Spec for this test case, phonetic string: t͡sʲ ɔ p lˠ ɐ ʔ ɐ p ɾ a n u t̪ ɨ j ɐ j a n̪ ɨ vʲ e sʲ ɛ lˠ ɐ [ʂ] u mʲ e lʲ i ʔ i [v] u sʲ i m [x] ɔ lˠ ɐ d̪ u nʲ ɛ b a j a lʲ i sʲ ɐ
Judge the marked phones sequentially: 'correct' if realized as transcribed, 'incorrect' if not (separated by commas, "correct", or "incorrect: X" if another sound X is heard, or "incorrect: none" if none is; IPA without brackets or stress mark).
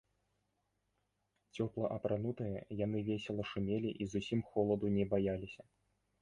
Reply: correct, incorrect: z, correct